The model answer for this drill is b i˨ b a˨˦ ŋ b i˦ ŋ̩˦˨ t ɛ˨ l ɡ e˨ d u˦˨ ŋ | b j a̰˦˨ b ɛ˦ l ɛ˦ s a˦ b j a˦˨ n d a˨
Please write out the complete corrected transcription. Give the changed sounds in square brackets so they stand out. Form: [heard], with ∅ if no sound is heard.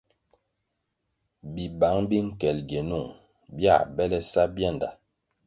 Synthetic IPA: b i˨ b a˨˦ ŋ b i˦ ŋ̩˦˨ [k] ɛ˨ l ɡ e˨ [n] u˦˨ ŋ | b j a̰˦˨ b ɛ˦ l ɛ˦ s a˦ b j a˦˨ n d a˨

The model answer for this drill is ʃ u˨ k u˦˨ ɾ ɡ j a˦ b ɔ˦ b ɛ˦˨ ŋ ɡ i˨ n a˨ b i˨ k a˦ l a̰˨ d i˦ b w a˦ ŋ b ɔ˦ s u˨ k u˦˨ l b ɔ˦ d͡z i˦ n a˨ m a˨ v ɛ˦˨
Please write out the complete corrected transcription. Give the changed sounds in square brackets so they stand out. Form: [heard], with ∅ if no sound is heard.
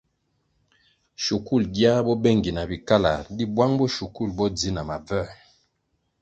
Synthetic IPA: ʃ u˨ k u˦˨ [l] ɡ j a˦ b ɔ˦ b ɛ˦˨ ŋ ɡ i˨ n a˨ b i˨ k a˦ l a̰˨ d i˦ b w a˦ ŋ b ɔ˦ [ʃ] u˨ k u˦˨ l b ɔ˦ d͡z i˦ n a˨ m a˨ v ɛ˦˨

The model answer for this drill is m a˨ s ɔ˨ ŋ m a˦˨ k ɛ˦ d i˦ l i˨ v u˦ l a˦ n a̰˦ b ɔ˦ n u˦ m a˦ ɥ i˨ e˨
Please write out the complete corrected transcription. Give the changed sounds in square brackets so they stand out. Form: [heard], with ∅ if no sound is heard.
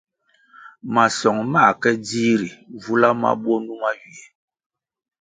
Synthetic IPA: m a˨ s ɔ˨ ŋ m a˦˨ k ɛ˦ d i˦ [ɾ] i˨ v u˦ l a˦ [m] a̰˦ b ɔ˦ n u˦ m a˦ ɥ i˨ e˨

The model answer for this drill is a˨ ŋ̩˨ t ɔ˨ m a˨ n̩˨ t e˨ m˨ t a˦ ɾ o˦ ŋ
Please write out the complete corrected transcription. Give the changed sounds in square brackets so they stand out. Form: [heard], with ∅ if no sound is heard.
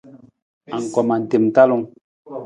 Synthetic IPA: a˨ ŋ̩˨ [k] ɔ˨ m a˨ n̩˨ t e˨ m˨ t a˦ [l] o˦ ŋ

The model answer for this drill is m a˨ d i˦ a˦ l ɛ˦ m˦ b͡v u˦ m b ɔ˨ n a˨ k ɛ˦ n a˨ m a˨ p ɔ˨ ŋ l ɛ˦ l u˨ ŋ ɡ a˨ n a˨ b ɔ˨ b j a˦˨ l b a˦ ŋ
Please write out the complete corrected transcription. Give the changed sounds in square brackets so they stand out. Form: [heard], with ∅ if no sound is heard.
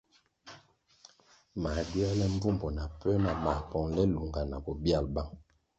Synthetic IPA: m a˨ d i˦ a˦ l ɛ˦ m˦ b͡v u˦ m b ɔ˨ n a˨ [p] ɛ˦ n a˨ m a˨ p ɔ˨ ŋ l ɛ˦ l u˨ ŋ ɡ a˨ n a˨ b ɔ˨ b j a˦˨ l b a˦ ŋ

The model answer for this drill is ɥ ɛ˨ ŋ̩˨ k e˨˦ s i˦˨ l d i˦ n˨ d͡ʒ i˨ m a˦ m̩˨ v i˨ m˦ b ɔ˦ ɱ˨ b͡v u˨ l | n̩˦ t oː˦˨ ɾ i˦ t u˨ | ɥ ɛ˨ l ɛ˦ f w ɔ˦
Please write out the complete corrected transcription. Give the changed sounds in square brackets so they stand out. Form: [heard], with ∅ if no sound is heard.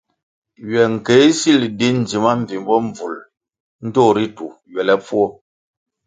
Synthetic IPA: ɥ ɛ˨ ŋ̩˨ k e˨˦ s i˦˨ l d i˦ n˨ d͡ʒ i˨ m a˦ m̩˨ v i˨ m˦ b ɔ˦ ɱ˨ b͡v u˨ l | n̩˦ t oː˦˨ ɾ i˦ t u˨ | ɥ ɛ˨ l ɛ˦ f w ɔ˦

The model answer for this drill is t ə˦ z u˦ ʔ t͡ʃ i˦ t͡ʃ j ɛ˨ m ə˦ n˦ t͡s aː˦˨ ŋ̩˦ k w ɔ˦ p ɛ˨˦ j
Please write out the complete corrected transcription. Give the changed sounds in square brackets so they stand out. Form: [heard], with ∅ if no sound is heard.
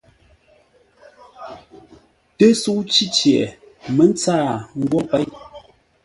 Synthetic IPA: t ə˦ [s] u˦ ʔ t͡ʃ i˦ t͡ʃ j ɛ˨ m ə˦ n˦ t͡s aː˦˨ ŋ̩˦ [ɡ] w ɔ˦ p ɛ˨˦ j

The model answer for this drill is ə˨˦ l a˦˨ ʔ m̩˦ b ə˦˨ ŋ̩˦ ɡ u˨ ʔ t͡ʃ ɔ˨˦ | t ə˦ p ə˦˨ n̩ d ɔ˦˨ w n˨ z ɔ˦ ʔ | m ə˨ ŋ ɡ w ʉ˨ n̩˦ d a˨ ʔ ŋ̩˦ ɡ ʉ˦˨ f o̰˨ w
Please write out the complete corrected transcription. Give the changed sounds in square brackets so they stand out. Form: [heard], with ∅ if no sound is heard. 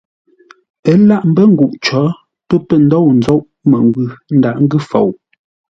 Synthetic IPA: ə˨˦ l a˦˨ ʔ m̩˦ b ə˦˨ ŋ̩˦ ɡ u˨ ʔ t͡ʃ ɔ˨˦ | [p] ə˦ p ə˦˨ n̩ d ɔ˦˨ w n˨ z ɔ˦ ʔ | m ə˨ ŋ ɡ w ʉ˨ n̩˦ d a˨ ʔ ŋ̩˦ ɡ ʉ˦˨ f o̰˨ w

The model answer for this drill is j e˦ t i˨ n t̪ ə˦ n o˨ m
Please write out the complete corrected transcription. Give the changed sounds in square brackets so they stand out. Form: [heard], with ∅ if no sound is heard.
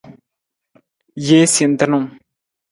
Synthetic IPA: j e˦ [s] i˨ n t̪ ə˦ n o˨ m

